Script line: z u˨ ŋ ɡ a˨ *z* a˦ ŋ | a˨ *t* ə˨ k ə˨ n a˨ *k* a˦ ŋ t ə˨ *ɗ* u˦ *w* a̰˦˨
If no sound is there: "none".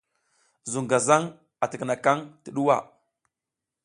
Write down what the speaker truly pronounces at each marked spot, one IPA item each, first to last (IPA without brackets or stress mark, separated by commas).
z, t, k, ɗ, w